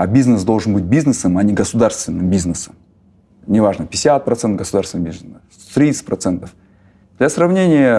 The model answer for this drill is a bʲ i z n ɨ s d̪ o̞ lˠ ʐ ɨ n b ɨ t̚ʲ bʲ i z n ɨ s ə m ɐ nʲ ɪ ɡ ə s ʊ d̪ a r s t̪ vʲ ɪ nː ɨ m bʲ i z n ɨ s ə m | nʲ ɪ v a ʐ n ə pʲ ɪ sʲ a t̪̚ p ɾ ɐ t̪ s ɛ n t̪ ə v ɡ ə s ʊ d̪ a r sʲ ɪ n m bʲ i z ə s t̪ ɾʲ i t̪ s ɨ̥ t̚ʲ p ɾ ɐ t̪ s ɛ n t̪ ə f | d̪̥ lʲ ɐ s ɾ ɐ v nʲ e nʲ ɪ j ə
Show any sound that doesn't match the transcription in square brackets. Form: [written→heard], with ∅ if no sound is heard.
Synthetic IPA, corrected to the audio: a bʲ i z n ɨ s d̪ o̞ lˠ ʐ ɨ n b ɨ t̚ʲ bʲ i z n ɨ s ə m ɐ nʲ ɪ ɡ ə s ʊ d̪ a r s t̪ vʲ ɪ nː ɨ m bʲ i z n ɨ s ə m | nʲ ɪ v a ʐ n ə pʲ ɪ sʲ a t̪̚ p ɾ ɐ t̪ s ɛ n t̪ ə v ɡ ə s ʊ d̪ a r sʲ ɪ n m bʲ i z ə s t̪ ɾʲ i t̪ s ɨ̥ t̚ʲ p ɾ ɐ t̪ s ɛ n t̪ ə f | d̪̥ lʲ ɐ s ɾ ɐ v nʲ e nʲ ɪ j ə